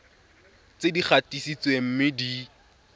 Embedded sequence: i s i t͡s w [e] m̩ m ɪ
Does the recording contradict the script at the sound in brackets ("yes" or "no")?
no